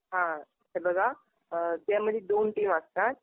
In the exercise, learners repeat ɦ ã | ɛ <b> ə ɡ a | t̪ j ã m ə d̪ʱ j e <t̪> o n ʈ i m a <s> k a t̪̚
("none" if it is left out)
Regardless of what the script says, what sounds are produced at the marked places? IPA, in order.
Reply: b, d̪, s

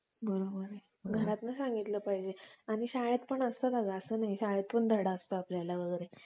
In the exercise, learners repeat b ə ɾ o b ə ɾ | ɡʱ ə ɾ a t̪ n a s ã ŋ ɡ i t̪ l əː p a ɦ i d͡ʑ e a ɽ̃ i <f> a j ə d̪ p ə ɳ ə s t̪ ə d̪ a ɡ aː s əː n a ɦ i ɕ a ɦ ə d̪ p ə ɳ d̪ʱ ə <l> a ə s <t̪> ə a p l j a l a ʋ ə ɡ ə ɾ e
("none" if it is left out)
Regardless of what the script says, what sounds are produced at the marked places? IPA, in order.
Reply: ɕ, ɽ, t̪

